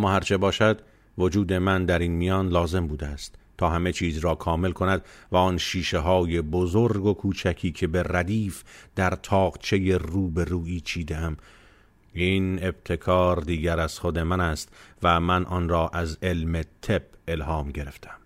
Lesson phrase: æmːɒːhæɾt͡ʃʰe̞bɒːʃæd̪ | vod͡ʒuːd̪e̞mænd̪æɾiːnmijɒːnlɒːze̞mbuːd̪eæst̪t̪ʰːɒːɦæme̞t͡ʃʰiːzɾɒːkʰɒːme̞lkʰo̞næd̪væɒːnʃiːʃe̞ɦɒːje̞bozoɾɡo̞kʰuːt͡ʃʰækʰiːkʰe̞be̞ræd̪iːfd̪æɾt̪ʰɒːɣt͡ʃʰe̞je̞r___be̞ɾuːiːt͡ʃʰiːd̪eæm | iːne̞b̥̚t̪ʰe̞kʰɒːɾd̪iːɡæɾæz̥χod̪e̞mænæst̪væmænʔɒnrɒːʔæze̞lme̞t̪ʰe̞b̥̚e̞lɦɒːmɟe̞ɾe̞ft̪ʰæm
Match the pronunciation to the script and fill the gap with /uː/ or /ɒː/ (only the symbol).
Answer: uː